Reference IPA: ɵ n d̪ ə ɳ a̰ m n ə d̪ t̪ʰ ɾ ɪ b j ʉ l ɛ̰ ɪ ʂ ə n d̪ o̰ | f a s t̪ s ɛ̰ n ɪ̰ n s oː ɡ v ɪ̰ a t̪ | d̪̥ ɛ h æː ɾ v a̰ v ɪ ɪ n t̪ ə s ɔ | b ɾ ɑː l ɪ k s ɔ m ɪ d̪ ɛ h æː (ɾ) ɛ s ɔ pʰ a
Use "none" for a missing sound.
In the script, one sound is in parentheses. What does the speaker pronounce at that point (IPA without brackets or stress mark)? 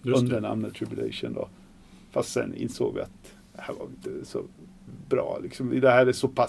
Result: ɾ